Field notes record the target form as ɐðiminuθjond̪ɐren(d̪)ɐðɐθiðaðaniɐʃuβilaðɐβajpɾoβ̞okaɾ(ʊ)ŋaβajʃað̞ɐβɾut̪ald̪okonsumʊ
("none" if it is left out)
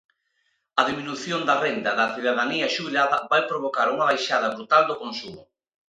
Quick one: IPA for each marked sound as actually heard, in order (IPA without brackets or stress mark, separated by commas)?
d̪, u